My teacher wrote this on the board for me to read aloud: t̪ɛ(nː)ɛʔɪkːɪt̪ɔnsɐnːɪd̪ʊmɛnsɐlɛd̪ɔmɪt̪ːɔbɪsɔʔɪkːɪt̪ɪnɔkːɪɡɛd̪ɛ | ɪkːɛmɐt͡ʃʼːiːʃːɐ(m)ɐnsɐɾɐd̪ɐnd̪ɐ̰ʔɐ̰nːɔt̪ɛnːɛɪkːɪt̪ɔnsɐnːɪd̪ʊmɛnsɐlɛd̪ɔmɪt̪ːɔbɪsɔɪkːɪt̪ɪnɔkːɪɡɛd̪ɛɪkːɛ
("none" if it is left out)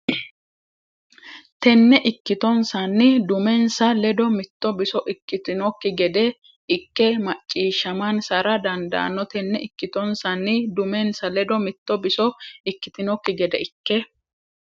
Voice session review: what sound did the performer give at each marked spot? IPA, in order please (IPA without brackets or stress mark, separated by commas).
nː, m